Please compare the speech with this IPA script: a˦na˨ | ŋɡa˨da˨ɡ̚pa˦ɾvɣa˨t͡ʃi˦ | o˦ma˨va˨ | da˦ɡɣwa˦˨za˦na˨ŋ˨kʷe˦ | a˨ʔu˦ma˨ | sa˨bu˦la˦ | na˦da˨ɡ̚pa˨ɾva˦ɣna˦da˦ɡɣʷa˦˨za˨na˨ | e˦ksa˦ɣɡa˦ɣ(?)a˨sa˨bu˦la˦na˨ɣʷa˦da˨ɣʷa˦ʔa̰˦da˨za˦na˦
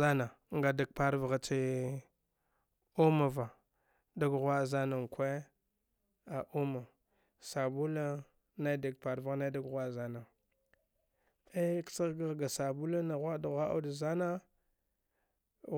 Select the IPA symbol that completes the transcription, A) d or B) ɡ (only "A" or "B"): B